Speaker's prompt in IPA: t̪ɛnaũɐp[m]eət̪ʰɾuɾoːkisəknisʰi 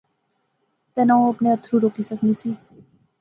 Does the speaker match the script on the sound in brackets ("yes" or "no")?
no